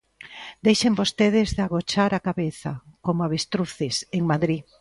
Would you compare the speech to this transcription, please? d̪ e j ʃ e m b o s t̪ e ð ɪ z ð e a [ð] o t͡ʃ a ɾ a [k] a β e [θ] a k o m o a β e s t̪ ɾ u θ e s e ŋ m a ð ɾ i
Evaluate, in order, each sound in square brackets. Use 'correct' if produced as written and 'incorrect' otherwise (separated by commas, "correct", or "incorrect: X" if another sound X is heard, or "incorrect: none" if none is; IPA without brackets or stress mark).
incorrect: ɣ, correct, correct